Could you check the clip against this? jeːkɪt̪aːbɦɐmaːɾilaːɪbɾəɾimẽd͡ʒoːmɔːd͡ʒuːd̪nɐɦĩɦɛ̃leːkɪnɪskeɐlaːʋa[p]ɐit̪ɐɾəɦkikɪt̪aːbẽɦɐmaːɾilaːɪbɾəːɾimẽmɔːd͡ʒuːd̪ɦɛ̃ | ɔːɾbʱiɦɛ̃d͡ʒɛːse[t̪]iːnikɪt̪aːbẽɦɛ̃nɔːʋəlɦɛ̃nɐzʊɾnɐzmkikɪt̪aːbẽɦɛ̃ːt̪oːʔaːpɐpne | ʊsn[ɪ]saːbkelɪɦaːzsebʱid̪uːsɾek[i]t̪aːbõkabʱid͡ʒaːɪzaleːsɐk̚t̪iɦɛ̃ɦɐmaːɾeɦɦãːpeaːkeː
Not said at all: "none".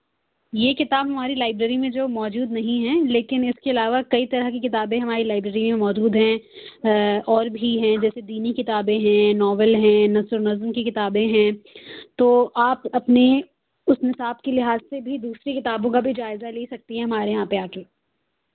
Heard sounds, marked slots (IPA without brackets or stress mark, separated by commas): k, d̪, ɪ, ɪ